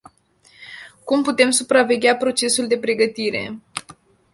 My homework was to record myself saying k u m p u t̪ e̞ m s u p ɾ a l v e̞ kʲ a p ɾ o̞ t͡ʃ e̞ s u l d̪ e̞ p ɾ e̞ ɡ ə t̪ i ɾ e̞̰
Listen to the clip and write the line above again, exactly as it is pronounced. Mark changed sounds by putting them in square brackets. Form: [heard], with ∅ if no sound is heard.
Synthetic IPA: k u m p u t̪ e̞ m s u p ɾ a [∅] v e̞ [ɡʲ] a p ɾ o̞ t͡ʃ e̞ s u l d̪ e̞ p ɾ e̞ ɡ ə t̪ i ɾ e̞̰